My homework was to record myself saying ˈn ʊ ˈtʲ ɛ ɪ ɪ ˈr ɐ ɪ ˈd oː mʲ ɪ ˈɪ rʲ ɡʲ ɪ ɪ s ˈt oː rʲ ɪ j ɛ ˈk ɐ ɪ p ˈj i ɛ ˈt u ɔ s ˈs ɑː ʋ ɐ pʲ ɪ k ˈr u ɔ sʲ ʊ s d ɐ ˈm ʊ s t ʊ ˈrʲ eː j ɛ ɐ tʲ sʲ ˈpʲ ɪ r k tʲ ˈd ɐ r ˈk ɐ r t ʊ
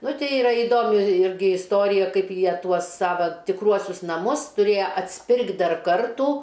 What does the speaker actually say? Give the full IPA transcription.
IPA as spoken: ˈn ʊ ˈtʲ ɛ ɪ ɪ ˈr ɐ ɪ ˈd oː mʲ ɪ ˈɪ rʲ ɡʲ ɪ ɪ s ˈt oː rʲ ɪ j ɛ ˈk ɐ ɪ p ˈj i ɛ ˈt u ɔ s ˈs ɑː ʋ ɐ tʲ ɪ k ˈr u ɔ sʲ ʊ s n ɐ ˈm ʊ s t ʊ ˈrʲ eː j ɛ ɐ tʲ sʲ ˈpʲ ɪ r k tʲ ˈd ɐ r ˈk ɐ r t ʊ